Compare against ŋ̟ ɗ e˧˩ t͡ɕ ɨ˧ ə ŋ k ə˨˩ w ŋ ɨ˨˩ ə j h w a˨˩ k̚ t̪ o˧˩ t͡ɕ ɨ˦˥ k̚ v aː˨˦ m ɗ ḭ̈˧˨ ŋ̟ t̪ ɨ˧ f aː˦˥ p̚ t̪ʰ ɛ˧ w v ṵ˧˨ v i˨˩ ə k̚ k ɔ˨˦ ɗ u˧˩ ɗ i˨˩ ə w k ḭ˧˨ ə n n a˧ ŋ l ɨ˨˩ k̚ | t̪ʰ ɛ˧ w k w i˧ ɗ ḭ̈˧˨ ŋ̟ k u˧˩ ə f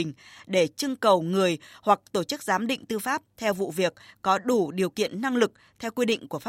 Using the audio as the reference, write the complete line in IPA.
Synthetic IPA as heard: ŋ̟ ɗ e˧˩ t͡ɕ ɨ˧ ə ŋ k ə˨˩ w ŋ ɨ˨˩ ə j h w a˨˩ k̚ t̪ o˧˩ t͡ɕ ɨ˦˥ k̚ z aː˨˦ m ɗ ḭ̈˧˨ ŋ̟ t̪ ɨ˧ f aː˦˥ p̚ t̪ʰ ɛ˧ w v ṵ˧˨ v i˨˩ ə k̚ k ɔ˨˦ ɗ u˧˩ ɗ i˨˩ ə w k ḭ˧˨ ə n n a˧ ŋ l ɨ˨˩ k̚ | t̪ʰ ɛ˧ w k w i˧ ɗ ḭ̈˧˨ ŋ̟ k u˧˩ ə f